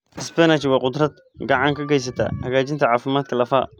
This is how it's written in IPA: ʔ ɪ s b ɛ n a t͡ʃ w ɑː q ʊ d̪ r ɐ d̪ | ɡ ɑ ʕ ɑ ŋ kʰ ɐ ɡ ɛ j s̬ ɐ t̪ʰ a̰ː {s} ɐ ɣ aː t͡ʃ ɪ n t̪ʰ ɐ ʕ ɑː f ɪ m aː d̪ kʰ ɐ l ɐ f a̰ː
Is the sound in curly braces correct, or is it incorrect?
incorrect